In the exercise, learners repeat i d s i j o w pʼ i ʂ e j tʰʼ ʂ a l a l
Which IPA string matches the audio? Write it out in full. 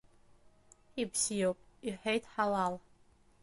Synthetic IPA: i b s i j o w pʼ i ħ e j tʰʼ ħ a l a l